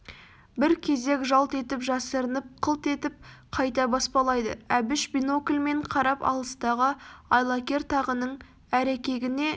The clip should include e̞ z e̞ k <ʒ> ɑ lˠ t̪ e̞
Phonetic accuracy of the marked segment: correct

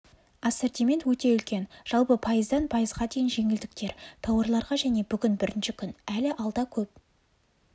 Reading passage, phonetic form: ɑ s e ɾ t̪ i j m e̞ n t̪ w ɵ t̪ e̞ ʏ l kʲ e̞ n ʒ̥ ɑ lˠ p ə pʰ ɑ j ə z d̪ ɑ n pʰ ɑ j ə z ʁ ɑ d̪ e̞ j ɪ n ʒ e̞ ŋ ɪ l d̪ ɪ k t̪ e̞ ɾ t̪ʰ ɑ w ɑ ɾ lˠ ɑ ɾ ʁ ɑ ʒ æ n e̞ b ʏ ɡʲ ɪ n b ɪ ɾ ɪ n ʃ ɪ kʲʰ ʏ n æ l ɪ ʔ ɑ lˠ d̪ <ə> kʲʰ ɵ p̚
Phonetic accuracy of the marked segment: incorrect: ɑ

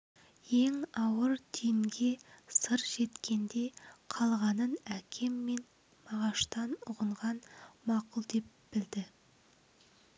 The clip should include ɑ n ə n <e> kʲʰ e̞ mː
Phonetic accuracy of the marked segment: incorrect: æ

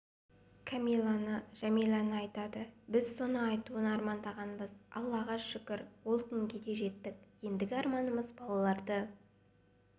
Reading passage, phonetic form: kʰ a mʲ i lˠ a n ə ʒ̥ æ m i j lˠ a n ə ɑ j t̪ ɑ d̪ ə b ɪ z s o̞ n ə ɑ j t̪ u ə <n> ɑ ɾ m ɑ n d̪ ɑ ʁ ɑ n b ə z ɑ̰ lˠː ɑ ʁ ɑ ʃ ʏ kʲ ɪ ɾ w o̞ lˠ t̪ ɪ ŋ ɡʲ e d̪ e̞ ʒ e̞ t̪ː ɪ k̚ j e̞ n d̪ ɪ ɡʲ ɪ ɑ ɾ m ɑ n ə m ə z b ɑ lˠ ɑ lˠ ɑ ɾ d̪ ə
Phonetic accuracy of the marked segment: correct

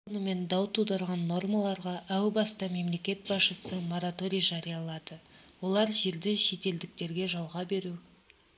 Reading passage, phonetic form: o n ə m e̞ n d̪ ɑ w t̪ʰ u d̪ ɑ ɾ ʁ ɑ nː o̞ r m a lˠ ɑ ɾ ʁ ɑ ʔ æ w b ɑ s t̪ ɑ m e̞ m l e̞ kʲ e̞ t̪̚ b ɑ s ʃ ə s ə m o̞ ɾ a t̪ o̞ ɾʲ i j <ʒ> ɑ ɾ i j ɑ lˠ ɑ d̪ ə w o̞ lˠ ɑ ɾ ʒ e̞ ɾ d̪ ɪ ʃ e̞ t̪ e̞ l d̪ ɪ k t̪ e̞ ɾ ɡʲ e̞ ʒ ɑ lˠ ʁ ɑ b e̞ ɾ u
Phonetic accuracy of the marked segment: correct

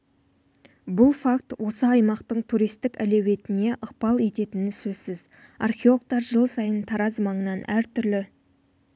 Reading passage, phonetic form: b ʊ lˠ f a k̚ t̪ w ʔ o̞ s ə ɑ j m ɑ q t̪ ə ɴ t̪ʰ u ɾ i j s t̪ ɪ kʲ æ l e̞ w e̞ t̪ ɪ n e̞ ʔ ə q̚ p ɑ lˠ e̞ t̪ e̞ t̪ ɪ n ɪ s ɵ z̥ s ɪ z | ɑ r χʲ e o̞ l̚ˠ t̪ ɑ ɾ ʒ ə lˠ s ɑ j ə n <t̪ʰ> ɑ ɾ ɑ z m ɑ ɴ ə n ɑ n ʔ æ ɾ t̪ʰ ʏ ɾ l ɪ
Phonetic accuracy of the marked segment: correct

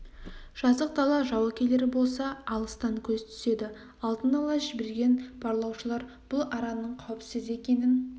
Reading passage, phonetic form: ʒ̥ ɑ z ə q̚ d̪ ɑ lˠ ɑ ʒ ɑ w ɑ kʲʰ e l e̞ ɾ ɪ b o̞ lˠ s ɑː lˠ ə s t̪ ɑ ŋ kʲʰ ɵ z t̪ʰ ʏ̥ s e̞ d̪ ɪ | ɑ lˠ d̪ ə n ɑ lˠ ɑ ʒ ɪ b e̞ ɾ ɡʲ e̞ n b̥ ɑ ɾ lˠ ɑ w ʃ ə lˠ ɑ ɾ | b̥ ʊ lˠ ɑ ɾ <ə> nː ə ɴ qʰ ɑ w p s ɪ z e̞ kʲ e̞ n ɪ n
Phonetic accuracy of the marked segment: incorrect: ɑ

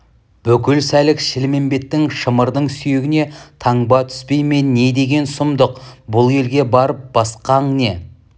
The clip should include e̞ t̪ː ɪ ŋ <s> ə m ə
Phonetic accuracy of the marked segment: incorrect: ʃ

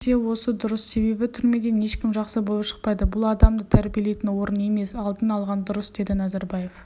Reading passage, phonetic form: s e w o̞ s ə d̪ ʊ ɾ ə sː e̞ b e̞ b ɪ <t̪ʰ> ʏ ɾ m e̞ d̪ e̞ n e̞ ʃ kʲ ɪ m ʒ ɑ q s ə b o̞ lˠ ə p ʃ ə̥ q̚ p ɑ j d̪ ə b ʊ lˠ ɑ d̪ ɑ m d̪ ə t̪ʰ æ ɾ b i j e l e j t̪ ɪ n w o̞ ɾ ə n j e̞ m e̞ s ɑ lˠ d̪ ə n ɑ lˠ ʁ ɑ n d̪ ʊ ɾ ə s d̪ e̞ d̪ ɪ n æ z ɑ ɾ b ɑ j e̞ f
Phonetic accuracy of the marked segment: correct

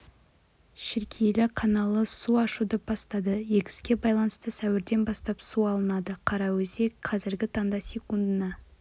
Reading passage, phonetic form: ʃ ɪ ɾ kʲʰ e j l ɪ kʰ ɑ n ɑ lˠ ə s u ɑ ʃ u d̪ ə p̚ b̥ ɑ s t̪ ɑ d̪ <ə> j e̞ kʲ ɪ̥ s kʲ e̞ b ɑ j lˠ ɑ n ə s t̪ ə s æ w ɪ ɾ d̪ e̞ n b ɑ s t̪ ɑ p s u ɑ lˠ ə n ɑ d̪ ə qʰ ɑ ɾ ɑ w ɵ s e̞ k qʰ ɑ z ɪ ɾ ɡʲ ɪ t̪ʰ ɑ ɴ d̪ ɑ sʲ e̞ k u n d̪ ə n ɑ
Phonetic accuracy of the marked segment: correct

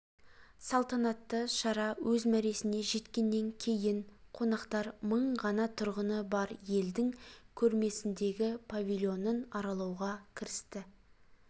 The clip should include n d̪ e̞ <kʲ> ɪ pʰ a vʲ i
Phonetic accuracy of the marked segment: incorrect: ɡʲ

